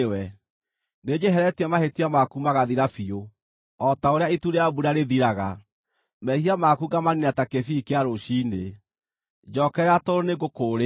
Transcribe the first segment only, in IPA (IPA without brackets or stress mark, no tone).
w